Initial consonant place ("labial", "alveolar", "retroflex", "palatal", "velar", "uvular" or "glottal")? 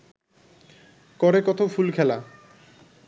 velar